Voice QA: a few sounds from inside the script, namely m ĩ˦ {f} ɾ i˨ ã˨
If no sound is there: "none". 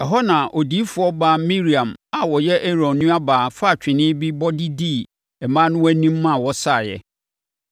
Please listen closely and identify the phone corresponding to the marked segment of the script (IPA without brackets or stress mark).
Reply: none